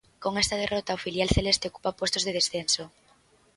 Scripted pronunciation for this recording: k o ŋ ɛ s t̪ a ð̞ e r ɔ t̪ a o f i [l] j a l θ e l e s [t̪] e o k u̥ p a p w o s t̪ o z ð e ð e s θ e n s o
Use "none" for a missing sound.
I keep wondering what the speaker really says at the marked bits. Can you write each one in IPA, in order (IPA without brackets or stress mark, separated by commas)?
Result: l, t̪